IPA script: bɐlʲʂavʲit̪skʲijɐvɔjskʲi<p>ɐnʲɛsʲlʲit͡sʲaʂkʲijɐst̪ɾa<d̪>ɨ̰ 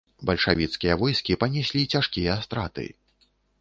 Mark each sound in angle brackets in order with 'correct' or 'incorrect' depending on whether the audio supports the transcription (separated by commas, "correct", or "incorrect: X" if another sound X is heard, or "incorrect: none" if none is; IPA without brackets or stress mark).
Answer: correct, incorrect: t̪